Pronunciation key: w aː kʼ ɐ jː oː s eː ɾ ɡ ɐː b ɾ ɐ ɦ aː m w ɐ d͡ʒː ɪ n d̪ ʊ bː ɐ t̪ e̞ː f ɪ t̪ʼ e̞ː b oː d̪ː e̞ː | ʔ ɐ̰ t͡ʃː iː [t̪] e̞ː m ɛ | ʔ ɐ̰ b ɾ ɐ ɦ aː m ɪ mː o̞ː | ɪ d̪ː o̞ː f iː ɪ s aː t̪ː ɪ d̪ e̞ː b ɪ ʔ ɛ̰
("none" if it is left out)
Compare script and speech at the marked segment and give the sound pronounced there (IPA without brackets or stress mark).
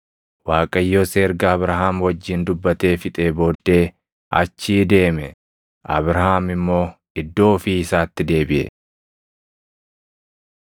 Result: d̪